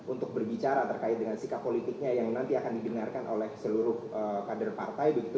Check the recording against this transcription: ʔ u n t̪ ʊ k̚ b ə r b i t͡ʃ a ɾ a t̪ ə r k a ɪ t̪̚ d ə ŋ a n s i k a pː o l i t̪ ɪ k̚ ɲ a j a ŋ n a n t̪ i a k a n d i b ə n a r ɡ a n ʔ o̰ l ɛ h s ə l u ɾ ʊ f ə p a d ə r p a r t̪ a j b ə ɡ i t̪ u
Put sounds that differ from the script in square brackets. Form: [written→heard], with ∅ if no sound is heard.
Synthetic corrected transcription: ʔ u n t̪ ʊ k̚ b ə r b i t͡ʃ a ɾ a t̪ ə r k a ɪ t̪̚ d ə ŋ a n s i k a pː o l i t̪ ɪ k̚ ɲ a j a ŋ n a n t̪ i a k a n d i b ə n a r [ɡ→k] a n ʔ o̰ l ɛ h s ə l u ɾ ʊ [f→h] ə [p→k] a d ə r p a r t̪ a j b ə ɡ i t̪ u